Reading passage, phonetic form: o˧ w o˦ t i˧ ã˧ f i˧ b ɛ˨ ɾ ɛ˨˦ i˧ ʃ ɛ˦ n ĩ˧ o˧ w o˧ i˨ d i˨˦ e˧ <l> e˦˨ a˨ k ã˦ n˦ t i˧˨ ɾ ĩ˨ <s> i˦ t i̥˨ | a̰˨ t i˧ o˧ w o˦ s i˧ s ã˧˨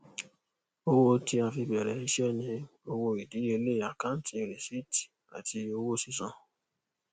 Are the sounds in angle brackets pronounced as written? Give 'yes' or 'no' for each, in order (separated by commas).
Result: yes, yes